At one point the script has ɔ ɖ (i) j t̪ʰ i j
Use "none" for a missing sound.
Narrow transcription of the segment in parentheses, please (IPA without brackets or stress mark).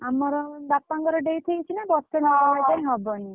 e